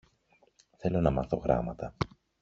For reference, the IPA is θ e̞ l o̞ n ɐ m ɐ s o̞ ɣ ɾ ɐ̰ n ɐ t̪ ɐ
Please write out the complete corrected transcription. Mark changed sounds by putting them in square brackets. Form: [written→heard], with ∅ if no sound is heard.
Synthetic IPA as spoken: θ e̞ l o̞ n ɐ m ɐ [s→θ] o̞ ɣ ɾ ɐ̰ [n→m] ɐ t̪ ɐ